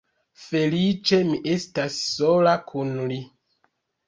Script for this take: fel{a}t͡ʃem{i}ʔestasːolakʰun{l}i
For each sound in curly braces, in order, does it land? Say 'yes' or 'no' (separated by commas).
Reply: no, yes, yes